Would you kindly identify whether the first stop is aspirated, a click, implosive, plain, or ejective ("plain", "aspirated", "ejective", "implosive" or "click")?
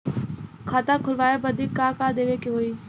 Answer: aspirated